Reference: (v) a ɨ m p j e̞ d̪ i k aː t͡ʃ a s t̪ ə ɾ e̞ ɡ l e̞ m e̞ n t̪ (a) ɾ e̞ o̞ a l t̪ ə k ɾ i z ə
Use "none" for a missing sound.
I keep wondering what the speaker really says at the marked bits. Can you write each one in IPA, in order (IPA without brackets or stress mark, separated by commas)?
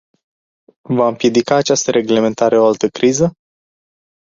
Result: v, a